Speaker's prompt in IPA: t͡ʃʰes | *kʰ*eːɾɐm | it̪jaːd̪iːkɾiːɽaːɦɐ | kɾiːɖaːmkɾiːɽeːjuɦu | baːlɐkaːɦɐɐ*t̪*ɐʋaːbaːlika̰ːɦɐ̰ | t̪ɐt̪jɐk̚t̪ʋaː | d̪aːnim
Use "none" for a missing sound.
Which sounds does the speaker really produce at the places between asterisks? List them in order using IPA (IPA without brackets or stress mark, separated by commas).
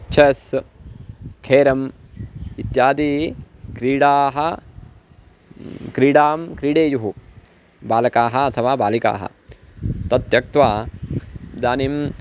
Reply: kʰ, t̪ʰ